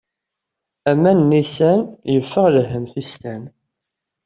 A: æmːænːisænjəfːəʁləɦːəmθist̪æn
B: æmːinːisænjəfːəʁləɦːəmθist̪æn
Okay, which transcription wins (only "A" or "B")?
A